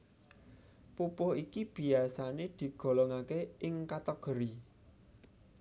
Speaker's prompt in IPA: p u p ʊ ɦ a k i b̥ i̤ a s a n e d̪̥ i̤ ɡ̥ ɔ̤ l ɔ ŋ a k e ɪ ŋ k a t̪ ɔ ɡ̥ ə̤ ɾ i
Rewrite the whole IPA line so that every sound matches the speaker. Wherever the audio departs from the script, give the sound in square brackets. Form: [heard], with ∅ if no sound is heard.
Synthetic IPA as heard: p u p ʊ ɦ [i] k i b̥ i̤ a s a n e d̪̥ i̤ ɡ̥ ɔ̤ l ɔ ŋ a k e ɪ ŋ k a t̪ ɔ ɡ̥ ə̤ ɾ i